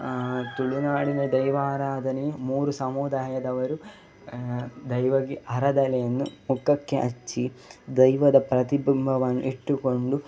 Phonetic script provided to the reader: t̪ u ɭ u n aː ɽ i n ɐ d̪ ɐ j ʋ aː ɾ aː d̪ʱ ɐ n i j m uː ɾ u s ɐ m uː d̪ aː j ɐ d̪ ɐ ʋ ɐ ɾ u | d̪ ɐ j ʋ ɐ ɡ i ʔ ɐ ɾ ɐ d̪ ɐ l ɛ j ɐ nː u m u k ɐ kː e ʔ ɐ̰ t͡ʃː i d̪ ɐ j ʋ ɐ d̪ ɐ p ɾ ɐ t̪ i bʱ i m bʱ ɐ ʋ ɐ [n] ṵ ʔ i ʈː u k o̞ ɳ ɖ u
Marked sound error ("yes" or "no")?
yes